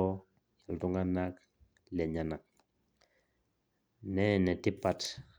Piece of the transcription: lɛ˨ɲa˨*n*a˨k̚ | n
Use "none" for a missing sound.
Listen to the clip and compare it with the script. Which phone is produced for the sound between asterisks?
n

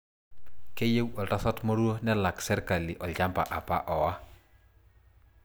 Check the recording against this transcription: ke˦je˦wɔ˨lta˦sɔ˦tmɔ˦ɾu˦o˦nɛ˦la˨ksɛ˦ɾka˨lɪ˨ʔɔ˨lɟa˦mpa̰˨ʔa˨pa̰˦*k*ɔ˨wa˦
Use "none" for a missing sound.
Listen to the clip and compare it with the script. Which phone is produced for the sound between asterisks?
ʔ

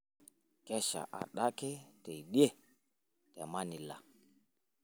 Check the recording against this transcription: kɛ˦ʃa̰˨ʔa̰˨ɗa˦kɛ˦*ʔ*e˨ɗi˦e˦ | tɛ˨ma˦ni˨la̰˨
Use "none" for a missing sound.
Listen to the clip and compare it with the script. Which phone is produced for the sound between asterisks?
t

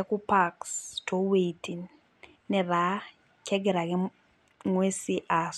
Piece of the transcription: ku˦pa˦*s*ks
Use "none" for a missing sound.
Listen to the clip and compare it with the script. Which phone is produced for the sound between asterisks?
none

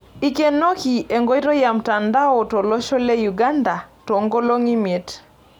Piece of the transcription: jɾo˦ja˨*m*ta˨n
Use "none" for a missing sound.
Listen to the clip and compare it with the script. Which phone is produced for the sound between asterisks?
m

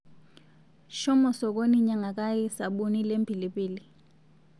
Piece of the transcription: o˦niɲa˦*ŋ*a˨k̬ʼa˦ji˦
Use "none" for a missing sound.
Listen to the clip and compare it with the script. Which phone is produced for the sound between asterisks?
ŋ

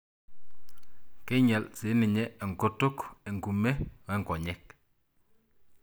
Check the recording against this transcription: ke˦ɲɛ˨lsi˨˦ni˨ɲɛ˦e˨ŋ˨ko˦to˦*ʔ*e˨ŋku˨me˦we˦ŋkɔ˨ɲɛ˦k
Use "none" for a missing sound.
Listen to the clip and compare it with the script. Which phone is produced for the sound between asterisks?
k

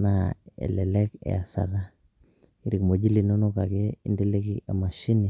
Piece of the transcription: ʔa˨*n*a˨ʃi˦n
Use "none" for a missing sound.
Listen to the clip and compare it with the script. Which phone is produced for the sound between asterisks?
m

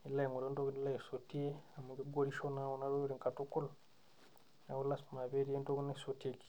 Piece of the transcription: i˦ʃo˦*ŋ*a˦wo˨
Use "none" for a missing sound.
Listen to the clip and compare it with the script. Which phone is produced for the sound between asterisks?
n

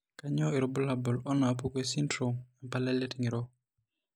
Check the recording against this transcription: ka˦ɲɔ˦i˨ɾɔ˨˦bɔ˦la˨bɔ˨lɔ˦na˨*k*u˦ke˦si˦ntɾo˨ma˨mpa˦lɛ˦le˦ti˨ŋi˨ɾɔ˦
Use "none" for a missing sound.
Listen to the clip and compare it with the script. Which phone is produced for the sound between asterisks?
p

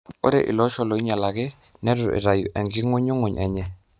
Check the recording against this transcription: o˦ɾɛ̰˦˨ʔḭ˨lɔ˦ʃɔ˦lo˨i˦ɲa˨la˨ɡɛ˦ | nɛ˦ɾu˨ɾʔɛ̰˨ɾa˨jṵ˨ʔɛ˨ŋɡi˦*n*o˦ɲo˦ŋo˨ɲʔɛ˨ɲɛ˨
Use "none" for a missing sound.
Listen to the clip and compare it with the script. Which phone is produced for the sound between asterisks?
ŋ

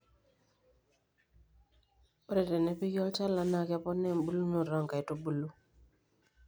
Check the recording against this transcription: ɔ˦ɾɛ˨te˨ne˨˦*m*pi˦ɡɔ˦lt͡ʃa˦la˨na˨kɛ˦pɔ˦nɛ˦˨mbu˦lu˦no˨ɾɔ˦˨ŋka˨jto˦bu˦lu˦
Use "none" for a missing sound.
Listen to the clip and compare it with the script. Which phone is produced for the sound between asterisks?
none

